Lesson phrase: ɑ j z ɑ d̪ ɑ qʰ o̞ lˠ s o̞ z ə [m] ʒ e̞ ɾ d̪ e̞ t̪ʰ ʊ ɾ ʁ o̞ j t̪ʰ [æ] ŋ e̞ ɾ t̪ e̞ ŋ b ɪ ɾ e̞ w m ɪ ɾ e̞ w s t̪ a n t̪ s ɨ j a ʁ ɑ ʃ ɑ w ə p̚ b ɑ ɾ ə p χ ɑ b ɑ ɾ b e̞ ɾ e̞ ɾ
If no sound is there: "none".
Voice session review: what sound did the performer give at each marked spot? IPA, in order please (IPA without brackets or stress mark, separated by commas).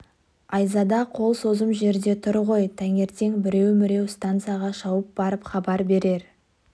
m, æ